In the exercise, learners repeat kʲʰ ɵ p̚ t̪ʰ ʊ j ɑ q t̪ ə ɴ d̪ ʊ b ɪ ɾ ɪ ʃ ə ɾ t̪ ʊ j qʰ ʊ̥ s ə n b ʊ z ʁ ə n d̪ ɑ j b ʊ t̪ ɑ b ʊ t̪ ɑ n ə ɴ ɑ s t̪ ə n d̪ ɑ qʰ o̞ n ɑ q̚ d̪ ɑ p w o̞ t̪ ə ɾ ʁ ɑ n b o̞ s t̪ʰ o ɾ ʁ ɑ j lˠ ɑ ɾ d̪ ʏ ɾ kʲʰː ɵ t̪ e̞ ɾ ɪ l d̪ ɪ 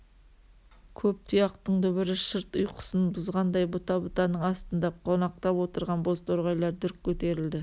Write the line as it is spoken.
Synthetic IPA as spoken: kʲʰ ɵ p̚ t̪ʰ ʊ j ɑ q t̪ ə ɴ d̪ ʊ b ɪ ɾ ɪ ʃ ə ɾ t̪ ʊ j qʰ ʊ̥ s ə n b ʊ z ʁ ɑ n d̪ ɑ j b ʊ t̪ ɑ b ʊ t̪ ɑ n ə ɴ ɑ s t̪ ə n d̪ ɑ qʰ o̞ n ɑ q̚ t̪ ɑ p w o̞ t̪ ə ɾ ʁ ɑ n b o̞ s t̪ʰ o ɾ ʁ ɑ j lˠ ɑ ɾ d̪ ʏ ɾ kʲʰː ɵ t̪ e̞ ɾ ɪ l d̪ ɪ